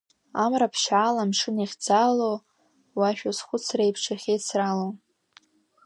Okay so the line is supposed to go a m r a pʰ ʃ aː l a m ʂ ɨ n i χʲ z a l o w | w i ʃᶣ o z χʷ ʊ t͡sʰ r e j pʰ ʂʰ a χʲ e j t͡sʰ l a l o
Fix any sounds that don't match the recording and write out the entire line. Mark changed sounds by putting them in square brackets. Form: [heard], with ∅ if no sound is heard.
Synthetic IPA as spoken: a m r a pʰ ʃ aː l a m ʂ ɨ n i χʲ [d͡z] a l o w | w [a] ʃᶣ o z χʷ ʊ t͡sʰ r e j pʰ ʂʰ a χʲ e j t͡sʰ [r] a l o